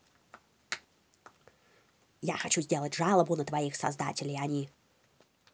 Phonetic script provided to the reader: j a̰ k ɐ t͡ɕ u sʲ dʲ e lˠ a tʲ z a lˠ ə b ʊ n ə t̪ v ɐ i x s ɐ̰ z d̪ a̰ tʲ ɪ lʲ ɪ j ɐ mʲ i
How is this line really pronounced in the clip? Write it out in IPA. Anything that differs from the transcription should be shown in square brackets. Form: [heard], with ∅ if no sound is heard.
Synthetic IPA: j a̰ [x] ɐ t͡ɕ u [zʲ] dʲ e lˠ [ə] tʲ [ʐ] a lˠ ə b ʊ n ə t̪ v ɐ i x s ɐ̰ z d̪ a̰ tʲ ɪ lʲ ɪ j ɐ [nʲ] i

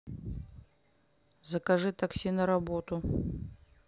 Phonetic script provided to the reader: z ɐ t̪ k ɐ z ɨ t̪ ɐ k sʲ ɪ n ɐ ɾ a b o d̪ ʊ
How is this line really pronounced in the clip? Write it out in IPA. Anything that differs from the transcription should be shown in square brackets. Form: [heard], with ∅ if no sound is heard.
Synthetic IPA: z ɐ [∅] k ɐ [ʐ] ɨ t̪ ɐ k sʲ [i] n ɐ ɾ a b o [t̪] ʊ

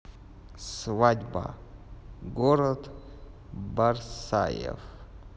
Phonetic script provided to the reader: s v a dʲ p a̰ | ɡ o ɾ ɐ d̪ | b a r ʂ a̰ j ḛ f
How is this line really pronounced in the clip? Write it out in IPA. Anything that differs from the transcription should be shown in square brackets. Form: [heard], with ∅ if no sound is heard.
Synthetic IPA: s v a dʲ [b] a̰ | ɡ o ɾ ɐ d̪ | b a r [s] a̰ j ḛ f

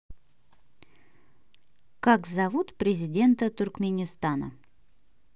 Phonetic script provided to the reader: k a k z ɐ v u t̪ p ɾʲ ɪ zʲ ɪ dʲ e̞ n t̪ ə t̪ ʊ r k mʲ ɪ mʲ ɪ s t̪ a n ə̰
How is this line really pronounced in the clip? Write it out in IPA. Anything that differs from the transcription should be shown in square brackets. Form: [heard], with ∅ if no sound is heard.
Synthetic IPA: k a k z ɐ v u t̪ p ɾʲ ɪ zʲ ɪ dʲ e̞ n t̪ ə t̪ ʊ r k mʲ ɪ [nʲ] ɪ s t̪ a n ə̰

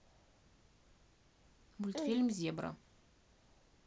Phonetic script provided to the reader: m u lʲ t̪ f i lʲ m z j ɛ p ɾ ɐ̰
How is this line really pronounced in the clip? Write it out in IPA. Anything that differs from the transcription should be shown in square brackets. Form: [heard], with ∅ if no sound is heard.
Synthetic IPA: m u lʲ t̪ f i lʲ m z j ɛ [b] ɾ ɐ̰

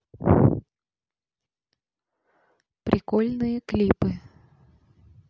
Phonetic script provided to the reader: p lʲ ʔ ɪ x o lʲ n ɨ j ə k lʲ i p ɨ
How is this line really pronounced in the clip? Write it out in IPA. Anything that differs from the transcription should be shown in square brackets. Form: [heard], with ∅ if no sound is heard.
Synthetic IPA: p [ɾʲ] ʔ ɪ [k] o lʲ n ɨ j ə k lʲ i p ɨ

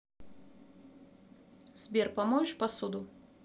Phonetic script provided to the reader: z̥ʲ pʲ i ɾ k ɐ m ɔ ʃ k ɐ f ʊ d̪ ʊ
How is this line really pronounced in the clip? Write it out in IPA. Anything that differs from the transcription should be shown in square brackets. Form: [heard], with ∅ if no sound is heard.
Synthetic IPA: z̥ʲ [bʲ] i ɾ [p] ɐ m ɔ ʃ [p] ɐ [s] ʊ d̪ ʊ

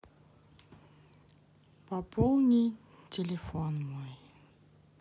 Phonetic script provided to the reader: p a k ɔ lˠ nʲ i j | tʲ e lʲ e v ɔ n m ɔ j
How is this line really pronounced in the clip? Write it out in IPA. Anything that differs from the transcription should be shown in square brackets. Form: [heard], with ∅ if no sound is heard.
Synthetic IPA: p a [p] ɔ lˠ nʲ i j | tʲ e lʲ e [f] ɔ n m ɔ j

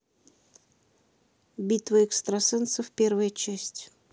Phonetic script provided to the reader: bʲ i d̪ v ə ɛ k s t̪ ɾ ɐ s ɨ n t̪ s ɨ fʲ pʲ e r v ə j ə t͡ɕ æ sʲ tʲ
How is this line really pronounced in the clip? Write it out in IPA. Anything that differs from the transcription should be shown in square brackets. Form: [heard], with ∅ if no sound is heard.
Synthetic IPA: bʲ i [t̪] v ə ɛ k s t̪ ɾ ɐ s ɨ n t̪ s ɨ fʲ pʲ e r v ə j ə t͡ɕ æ sʲ tʲ

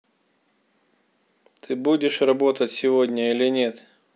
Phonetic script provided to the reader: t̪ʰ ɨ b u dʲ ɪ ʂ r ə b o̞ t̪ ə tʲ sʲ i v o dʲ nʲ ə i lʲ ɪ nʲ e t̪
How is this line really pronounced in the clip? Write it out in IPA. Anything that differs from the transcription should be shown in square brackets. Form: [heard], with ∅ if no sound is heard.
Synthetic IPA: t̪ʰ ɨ b u dʲ ɪ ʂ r [ɐ] b o̞ t̪ ə tʲ sʲ [ɪ] v o dʲ nʲ ə i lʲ ɪ nʲ e t̪

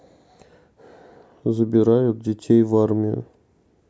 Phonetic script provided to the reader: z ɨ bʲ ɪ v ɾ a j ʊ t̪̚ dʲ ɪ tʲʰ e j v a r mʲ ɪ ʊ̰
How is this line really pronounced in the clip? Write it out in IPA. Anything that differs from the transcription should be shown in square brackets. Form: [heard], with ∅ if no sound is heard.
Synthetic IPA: z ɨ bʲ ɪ [∅] ɾ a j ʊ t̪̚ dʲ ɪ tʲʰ e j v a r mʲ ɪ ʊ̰

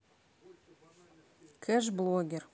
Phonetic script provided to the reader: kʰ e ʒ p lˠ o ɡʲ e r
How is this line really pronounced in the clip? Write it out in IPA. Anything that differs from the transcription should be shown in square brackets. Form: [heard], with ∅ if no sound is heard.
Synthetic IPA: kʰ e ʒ [b] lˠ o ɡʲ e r

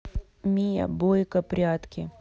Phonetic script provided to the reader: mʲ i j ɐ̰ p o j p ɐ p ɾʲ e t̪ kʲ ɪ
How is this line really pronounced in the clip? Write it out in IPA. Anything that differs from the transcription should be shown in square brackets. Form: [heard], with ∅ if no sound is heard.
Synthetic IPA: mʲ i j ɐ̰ [b] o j [k] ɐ p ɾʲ [a] t̪ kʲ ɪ

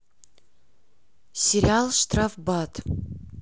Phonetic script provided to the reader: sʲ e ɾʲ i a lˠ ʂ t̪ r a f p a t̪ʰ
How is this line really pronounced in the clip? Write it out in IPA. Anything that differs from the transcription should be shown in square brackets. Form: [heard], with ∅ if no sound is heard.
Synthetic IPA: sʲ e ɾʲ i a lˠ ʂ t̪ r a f [b] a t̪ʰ

